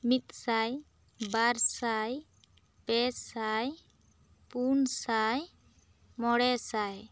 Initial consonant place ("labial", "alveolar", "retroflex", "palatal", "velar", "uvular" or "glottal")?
labial